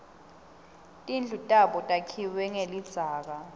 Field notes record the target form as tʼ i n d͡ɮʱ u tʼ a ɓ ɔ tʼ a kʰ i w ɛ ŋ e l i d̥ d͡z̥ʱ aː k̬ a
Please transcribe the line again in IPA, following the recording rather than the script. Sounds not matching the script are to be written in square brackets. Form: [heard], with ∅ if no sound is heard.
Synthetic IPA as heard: tʼ i n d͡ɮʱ u tʼ a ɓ ɔ tʼ a kʰ i w ɛ ŋ e l i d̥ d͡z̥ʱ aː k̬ a